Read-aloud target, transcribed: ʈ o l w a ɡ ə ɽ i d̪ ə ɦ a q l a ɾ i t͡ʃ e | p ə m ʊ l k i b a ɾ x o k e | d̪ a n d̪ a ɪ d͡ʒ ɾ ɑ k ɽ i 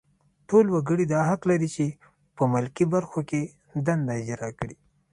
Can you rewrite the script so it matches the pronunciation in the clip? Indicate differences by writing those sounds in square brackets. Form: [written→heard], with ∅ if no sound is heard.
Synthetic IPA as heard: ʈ o l w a ɡ ə ɽ i d̪ [ə→ɑ] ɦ a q l a ɾ i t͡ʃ e | p ə m ʊ l k i b a ɾ x o k e | d̪ a n d̪ a ɪ d͡ʒ ɾ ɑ k ɽ i